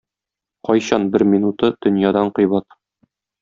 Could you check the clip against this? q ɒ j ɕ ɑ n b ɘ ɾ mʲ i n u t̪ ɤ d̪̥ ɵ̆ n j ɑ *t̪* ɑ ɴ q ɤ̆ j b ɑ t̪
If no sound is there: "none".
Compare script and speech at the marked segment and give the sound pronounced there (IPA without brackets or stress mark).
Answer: d̪